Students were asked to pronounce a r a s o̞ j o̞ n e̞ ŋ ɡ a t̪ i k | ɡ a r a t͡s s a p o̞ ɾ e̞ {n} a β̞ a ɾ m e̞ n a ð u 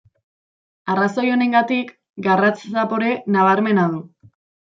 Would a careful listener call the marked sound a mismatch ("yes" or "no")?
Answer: no